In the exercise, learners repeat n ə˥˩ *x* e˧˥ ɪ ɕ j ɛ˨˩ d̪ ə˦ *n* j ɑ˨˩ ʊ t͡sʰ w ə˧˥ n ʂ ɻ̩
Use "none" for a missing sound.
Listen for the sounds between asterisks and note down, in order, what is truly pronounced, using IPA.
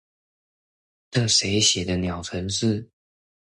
ʂ, n

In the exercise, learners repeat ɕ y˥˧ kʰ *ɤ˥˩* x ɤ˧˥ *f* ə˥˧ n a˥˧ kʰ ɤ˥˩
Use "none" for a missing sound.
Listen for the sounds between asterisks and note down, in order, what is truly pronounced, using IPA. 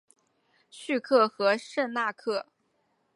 ɤ˥˩, ʂ

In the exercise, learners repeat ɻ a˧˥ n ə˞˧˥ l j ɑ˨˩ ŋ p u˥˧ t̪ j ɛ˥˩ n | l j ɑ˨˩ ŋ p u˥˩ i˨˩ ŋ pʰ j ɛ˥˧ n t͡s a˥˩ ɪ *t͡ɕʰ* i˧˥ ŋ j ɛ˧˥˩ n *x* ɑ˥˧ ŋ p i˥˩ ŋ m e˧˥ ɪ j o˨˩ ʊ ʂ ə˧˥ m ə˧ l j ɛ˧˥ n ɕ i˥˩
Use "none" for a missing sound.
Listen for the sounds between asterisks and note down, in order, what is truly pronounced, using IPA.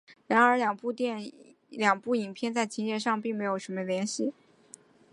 t͡ɕʰ, ʂ

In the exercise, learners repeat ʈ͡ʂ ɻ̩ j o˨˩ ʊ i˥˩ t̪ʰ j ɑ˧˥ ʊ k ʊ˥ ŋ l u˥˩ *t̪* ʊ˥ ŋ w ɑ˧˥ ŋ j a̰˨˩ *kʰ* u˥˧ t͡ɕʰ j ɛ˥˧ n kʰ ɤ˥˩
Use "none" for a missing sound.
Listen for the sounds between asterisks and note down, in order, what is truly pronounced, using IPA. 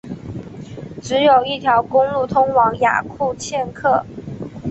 t̪ʰ, kʰ

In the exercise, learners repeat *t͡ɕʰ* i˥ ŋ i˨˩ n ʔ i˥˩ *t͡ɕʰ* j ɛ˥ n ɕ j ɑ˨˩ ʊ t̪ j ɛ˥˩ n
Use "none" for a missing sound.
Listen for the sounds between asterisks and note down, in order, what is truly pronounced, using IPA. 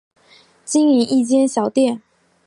t͡ɕ, t͡ɕ

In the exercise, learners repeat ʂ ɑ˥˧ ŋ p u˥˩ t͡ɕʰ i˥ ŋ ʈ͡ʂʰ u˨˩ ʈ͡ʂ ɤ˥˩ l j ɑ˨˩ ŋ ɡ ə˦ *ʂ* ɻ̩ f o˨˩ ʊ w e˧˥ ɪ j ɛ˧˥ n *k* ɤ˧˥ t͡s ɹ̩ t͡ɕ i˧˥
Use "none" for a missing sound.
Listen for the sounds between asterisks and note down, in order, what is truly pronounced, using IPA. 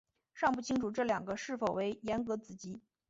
ʂ, k

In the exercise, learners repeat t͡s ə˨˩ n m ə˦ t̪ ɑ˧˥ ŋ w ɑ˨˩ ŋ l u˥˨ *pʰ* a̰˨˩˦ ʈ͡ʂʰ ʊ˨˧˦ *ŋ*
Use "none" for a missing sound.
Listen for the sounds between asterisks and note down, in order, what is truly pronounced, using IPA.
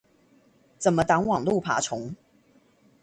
pʰ, ŋ

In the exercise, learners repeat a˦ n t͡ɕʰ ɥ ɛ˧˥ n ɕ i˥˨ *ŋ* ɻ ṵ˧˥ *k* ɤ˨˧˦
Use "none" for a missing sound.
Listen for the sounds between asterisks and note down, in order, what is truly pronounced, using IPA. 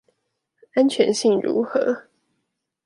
ŋ, x

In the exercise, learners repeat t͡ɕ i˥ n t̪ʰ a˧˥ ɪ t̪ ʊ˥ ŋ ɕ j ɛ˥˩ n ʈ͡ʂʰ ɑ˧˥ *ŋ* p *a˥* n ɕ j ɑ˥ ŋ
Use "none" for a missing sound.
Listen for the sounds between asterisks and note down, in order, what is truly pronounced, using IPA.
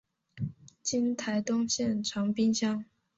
ŋ, i˥

